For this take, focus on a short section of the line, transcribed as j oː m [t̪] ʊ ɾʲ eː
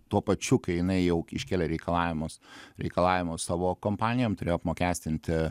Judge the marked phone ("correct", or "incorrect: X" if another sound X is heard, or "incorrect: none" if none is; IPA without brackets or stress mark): correct